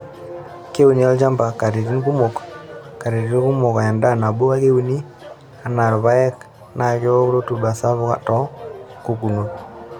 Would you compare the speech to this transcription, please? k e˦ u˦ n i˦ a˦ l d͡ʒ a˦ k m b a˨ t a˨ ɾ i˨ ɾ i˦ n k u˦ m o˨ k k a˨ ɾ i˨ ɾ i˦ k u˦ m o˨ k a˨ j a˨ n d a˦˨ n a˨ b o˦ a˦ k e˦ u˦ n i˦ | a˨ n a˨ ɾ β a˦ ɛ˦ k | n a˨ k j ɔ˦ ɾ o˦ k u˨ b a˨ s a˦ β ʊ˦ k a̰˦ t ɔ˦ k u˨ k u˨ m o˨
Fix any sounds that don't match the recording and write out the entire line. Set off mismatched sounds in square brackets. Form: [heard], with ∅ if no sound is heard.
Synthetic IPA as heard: k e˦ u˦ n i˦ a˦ l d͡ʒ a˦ [∅] m b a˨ [k] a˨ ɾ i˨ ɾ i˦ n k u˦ m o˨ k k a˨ ɾ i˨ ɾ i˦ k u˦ m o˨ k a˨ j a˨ n d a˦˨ n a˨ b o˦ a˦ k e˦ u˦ n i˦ | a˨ n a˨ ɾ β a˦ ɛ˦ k | n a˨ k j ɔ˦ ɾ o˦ [t] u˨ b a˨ s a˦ β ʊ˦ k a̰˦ t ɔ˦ k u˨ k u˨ [n] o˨